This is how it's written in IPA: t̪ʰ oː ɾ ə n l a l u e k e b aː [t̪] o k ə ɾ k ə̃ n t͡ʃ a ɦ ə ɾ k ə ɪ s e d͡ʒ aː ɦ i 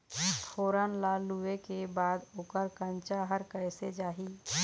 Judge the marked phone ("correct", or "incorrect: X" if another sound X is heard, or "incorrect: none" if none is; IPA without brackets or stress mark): incorrect: d̪